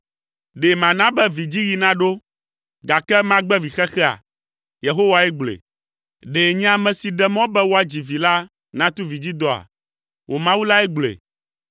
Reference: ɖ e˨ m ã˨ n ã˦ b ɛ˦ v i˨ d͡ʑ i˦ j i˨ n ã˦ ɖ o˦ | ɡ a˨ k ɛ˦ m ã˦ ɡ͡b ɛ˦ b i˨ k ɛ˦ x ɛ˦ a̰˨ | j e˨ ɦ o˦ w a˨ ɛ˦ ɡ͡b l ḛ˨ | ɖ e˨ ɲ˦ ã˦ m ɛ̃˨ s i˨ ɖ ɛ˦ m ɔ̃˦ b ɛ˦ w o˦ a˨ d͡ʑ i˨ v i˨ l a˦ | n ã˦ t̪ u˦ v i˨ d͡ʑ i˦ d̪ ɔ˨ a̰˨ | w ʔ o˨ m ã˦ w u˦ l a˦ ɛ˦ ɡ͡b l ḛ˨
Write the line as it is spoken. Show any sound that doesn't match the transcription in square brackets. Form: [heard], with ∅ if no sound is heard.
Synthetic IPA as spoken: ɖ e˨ m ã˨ n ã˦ b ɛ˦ v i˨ d͡ʑ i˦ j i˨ n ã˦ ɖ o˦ | ɡ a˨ k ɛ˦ m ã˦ ɡ͡b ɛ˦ [v] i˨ [x] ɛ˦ x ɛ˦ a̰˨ | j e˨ ɦ o˦ w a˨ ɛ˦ ɡ͡b l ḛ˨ | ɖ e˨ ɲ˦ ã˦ m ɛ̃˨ s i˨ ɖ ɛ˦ m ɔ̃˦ b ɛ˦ w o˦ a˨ d͡ʑ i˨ v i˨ l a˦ | n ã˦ t̪ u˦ v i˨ d͡ʑ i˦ d̪ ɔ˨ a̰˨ | w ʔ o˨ m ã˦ w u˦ l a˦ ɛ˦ ɡ͡b l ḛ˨